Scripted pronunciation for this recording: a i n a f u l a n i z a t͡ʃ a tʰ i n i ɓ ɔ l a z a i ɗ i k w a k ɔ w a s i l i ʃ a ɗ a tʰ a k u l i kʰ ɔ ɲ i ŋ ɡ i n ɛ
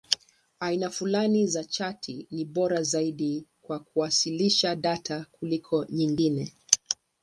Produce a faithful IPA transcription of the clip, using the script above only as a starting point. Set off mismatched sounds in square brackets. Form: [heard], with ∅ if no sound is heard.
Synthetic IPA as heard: a i n a f u l a n i z a t͡ʃ a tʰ i n i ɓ ɔ [ɾ] a z a i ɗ i k w a k [u] w a s i l i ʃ a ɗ a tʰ a k u l i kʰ ɔ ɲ i ŋ ɡ i n ɛ